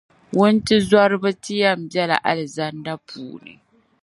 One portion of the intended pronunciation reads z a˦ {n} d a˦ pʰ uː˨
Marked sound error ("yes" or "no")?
no